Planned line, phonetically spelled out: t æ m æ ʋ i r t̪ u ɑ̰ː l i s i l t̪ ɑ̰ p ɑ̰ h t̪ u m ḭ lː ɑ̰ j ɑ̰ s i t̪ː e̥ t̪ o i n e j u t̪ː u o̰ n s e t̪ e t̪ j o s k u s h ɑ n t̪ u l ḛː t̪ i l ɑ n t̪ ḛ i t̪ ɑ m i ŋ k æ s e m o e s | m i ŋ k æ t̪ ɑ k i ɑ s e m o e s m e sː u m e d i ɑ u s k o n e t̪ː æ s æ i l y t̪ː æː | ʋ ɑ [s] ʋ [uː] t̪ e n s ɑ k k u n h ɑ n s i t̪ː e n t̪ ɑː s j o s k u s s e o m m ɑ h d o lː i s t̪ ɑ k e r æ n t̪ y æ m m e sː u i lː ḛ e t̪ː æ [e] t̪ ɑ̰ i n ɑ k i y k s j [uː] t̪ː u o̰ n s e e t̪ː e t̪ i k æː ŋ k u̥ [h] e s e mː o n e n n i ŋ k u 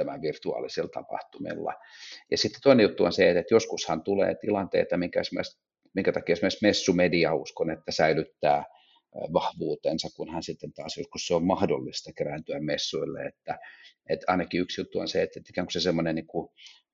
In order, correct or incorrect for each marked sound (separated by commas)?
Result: incorrect, correct, correct, incorrect, incorrect